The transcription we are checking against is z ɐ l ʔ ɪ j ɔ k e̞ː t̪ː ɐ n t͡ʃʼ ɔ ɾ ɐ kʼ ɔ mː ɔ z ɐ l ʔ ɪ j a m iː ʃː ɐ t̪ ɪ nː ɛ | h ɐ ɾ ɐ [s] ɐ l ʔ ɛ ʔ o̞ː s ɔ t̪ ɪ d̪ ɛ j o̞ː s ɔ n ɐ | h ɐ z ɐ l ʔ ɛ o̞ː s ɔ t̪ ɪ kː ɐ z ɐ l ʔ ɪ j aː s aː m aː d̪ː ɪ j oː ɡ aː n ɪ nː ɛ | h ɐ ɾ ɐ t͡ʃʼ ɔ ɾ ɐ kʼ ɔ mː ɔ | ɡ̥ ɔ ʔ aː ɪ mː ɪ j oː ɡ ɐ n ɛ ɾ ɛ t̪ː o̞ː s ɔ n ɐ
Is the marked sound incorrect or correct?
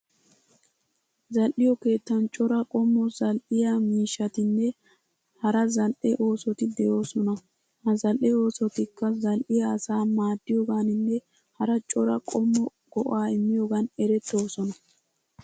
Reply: incorrect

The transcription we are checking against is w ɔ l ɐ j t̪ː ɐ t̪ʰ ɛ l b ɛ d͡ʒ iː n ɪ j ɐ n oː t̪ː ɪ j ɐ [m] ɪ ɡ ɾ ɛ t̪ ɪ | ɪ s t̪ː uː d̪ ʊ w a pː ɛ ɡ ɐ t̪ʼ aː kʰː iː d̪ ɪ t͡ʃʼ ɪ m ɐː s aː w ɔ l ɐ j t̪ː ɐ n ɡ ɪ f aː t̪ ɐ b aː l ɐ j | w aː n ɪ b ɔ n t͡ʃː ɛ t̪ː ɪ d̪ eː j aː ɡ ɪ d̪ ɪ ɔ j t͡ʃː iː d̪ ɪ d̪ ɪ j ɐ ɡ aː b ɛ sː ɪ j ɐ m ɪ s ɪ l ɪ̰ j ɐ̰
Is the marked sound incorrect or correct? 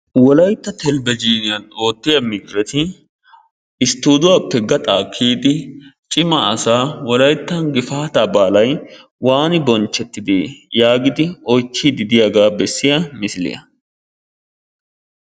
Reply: correct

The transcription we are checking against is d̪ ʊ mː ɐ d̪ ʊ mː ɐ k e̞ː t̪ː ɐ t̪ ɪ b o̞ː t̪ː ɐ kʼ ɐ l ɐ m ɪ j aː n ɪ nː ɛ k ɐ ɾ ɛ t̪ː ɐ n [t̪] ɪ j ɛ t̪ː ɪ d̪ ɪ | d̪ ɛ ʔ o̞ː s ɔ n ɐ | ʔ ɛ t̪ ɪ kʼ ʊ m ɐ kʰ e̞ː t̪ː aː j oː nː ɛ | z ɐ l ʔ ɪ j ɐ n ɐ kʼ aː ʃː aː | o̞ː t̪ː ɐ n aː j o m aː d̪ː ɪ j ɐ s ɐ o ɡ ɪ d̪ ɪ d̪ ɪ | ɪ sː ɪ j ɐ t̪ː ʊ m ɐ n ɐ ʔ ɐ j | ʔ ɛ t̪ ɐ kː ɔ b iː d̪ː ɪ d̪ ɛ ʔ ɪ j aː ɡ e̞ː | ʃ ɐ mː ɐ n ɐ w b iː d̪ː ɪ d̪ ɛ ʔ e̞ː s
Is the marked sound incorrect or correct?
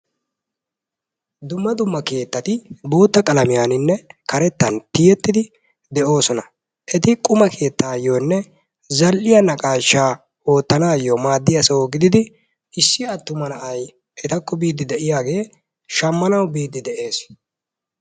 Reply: correct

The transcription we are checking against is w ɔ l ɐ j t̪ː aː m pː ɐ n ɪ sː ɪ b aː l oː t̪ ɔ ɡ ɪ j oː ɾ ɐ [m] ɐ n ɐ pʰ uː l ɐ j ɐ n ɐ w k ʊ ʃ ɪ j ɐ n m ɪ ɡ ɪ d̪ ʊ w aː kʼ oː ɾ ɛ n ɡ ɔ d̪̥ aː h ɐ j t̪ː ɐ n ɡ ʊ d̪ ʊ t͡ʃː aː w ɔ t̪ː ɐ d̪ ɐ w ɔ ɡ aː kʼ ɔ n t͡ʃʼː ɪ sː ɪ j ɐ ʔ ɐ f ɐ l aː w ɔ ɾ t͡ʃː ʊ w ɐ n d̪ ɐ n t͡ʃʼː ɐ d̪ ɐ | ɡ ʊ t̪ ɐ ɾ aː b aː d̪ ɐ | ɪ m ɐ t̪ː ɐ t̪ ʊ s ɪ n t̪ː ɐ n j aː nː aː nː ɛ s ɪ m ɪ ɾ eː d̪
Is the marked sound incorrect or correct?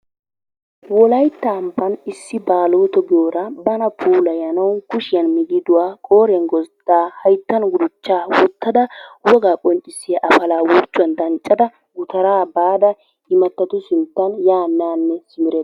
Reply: incorrect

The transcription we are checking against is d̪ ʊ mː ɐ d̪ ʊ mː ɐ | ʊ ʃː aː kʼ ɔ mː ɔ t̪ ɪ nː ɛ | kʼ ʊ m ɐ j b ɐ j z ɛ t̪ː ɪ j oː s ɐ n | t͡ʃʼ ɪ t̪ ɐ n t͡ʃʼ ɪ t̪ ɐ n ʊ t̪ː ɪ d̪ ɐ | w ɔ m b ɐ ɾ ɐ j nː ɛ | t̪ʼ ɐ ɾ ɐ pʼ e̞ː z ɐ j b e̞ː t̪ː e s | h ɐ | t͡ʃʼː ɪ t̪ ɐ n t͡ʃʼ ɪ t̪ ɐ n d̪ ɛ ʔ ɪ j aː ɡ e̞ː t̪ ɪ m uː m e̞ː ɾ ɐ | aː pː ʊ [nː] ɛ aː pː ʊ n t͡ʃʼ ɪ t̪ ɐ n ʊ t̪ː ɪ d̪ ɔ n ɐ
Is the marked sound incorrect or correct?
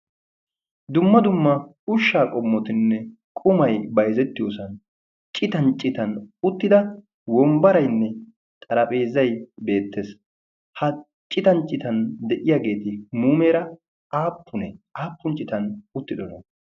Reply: incorrect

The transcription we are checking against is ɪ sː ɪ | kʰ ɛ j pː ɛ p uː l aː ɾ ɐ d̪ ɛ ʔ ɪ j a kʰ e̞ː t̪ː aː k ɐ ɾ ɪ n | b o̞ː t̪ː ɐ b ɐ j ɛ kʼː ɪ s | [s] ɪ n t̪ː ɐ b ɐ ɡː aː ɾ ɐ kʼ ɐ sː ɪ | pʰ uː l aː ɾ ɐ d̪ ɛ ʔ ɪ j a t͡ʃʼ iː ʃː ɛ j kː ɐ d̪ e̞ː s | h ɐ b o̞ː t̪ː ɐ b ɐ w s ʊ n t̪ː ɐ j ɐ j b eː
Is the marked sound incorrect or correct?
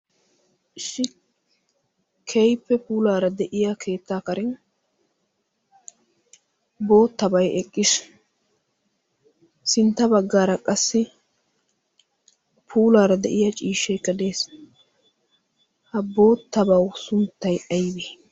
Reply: correct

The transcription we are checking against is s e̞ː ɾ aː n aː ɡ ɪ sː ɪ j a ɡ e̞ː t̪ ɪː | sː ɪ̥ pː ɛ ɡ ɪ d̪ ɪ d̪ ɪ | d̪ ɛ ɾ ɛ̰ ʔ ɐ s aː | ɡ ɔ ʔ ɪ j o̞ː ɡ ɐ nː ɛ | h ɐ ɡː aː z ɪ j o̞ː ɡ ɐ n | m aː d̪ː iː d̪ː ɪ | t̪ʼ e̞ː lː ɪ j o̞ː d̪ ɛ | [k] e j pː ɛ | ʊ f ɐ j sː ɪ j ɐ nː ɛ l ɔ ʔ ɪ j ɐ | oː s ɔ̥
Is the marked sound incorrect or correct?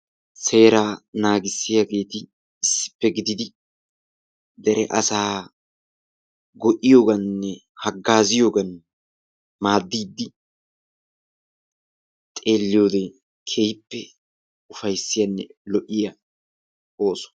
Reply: incorrect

